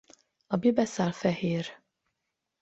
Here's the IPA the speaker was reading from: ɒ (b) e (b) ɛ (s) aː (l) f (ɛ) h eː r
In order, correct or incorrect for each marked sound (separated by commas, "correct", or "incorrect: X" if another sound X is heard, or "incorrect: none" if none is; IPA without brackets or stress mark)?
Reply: correct, correct, correct, correct, correct